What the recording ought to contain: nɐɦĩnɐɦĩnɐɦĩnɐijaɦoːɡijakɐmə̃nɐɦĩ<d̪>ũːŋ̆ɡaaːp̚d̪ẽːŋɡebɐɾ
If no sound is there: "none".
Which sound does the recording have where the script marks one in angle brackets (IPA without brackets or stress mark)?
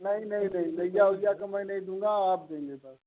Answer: d̪